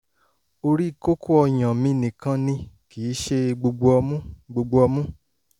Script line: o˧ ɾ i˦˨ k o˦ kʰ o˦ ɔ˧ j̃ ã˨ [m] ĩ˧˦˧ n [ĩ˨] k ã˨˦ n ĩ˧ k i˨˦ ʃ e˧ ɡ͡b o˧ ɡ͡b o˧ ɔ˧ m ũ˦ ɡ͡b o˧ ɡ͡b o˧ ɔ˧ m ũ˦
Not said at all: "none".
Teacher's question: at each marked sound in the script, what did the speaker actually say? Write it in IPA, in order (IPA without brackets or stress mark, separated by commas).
m, ĩ˨